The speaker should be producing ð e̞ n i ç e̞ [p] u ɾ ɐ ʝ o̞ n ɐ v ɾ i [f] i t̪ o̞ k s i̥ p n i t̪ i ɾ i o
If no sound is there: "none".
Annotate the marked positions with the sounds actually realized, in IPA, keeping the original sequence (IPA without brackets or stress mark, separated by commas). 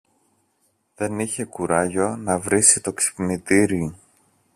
k, s